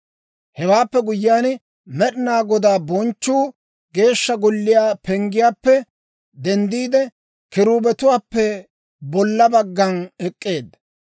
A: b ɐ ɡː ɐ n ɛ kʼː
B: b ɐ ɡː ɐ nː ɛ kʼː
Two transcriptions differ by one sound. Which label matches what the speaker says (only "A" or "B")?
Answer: A